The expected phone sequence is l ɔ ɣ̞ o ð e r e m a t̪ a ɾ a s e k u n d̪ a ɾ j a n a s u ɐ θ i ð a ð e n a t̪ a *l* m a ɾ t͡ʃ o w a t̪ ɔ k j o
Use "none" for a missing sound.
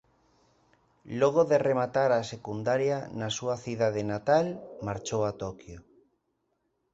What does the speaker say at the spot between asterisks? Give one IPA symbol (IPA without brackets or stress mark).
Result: l